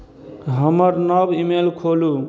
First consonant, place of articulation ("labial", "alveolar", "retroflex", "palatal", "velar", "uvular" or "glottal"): glottal